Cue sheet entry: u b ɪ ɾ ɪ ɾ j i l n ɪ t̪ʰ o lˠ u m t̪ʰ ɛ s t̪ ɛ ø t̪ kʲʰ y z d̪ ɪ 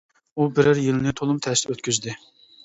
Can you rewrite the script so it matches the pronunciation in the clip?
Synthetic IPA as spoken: u b ɪ ɾ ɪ ɾ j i l n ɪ t̪ʰ o lˠ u m t̪ʰ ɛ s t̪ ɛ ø t̪ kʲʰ y z d̪ ɪ